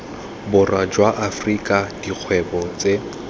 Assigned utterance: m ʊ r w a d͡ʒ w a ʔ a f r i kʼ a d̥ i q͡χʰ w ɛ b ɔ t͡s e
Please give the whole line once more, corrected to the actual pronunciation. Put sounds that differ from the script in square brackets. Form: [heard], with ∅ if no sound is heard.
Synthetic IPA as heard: [b] ʊ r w a d͡ʒ w a ʔ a f r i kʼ a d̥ i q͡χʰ w ɛ b ɔ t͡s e